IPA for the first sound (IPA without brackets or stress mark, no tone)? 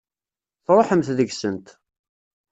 θ